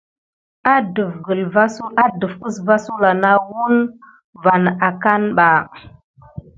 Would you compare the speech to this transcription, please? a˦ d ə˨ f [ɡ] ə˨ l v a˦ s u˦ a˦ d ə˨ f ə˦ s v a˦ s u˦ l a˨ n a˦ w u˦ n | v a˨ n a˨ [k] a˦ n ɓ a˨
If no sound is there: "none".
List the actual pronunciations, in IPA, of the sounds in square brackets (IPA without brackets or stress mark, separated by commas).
ɡ, k